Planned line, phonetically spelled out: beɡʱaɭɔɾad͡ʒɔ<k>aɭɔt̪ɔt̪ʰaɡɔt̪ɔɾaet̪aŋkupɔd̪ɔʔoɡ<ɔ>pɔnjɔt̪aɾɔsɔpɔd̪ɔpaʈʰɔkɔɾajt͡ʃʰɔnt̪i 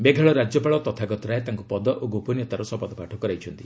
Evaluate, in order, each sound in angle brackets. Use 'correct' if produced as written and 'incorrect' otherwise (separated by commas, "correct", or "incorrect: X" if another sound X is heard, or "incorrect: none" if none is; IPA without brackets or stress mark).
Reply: incorrect: p, incorrect: o